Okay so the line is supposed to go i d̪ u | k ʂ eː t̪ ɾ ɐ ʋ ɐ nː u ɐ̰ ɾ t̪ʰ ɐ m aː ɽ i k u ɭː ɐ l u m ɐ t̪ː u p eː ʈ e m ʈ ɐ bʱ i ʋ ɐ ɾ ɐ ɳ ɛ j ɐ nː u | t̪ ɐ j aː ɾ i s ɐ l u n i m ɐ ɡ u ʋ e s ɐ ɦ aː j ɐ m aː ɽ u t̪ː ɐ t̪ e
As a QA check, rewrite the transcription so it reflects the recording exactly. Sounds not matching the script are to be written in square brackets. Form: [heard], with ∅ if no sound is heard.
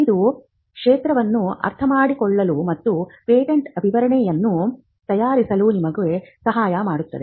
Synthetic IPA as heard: i d̪ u | k ʂ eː t̪ ɾ ɐ ʋ ɐ nː u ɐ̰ ɾ t̪ʰ ɐ m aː ɽ i k [ɔ] ɭː ɐ l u m ɐ t̪ː u p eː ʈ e [ɳ] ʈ ɐ bʱ i ʋ ɐ ɾ ɐ ɳ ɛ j ɐ nː u | t̪ ɐ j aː ɾ i s ɐ l u n i m ɐ ɡ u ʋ e s ɐ ɦ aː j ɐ m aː ɽ u t̪ː ɐ [d̪] e

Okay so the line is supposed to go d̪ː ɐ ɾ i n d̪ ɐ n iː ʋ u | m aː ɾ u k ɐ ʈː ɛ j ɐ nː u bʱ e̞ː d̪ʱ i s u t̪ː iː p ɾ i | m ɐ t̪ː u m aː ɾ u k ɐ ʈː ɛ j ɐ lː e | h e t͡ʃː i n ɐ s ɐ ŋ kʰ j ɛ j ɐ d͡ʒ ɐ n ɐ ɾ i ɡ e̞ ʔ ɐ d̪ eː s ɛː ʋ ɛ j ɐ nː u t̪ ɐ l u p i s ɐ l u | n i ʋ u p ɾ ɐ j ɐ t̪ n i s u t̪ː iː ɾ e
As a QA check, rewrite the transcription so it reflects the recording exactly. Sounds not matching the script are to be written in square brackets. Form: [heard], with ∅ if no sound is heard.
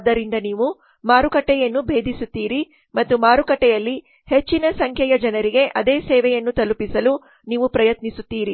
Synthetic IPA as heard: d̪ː ɐ ɾ i n d̪ ɐ n iː ʋ u | m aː ɾ u k ɐ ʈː ɛ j ɐ nː u bʱ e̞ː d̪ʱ i s u t̪ː iː [∅] ɾ i | m ɐ t̪ː u m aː ɾ u k ɐ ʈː ɛ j ɐ lː [i] | h e t͡ʃː i n ɐ s ɐ ŋ kʰ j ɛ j ɐ d͡ʒ ɐ n ɐ ɾ i ɡ e̞ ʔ ɐ d̪ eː s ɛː ʋ ɛ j ɐ nː u t̪ ɐ l u p i s ɐ l u | n [iː] ʋ u p ɾ ɐ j ɐ t̪ n i s u t̪ː iː ɾ [i]

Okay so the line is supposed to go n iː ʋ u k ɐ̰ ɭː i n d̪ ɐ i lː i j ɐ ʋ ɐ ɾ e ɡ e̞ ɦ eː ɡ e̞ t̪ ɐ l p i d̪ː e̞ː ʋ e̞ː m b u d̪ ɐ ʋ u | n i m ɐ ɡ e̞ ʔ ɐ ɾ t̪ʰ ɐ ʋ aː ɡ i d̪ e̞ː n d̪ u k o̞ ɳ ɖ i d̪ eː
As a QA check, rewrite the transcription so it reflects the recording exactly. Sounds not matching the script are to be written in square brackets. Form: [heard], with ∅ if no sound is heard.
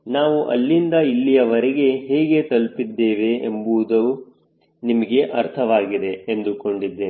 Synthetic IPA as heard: n [aː] ʋ u [ʔ] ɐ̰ [lː] i n d̪ ɐ i lː i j ɐ ʋ ɐ ɾ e ɡ e̞ ɦ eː ɡ e̞ t̪ ɐ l p i d̪ː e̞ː ʋ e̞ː m b u d̪ ɐ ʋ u | n i m ɐ ɡ e̞ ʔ ɐ ɾ t̪ʰ ɐ ʋ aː ɡ i d̪ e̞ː n d̪ u k o̞ ɳ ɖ i [d̪ː] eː

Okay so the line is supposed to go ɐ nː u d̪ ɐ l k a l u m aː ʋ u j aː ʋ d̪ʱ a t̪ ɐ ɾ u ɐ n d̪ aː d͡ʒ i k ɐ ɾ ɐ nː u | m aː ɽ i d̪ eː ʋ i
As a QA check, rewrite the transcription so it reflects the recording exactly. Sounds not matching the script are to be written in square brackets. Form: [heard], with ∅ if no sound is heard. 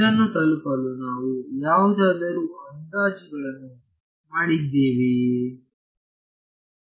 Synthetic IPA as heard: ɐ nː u [t̪] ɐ l k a l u [n] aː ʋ u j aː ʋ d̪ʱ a [d̪] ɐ ɾ u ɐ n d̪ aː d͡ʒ i [ɡ] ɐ [ɭ] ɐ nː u | m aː ɽ i d̪ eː ʋ i

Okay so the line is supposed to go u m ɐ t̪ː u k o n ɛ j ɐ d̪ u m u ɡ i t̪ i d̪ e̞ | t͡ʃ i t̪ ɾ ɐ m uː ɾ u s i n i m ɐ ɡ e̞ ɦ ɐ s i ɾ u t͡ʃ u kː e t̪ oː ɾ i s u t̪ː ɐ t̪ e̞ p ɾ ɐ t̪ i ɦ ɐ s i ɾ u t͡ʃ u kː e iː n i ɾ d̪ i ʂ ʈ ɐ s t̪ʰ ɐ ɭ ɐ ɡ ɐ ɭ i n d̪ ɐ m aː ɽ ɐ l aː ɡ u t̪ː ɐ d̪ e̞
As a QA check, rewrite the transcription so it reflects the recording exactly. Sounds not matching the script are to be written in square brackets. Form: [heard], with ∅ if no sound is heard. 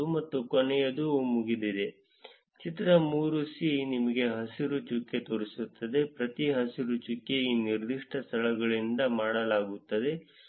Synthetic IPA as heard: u m ɐ t̪ː u k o n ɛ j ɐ d̪ u m u ɡ i [d̪] i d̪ e̞ | t͡ʃ i t̪ ɾ ɐ m uː ɾ u s i n i m ɐ ɡ e̞ ɦ ɐ s i ɾ u t͡ʃ u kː e t̪ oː ɾ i s u t̪ː ɐ [d̪] e̞ p ɾ ɐ t̪ i ɦ ɐ s i ɾ u t͡ʃ u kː e iː n i ɾ d̪ i ʂ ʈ ɐ s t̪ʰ ɐ ɭ ɐ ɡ ɐ ɭ i n d̪ ɐ m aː ɽ ɐ l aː ɡ u t̪ː ɐ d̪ e̞

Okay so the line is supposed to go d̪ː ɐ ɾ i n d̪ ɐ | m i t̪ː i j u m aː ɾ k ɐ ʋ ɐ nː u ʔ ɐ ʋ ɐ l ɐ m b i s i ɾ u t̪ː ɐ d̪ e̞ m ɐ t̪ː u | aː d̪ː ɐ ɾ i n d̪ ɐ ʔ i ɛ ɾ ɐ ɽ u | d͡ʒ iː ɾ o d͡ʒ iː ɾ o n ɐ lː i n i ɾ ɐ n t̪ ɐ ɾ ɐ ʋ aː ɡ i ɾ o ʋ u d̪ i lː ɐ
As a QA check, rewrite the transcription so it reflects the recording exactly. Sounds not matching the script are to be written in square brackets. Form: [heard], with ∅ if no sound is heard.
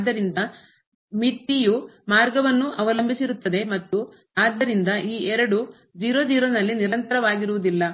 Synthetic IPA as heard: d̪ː ɐ ɾ i n d̪ ɐ | m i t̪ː i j u m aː ɾ [ɡ] ɐ ʋ ɐ nː u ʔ ɐ ʋ ɐ l ɐ m b i s i ɾ u t̪ː ɐ d̪ e̞ m ɐ t̪ː u | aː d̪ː ɐ ɾ i n d̪ ɐ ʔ [iː] ɛ ɾ ɐ ɽ u | d͡ʒ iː ɾ o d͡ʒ iː ɾ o n ɐ lː i n i ɾ ɐ n t̪ ɐ ɾ ɐ ʋ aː ɡ i ɾ [u] ʋ u d̪ i lː ɐ

